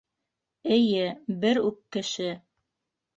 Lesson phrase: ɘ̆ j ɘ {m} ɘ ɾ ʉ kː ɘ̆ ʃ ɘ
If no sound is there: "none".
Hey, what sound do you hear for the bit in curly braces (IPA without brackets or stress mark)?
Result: b